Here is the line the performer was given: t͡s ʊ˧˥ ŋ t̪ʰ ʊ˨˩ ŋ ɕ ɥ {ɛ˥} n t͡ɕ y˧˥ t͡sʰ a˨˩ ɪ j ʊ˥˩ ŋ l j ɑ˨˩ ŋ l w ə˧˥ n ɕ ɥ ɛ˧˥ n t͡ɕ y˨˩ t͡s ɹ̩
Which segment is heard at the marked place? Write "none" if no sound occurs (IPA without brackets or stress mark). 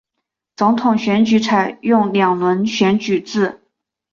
ɛ˧˥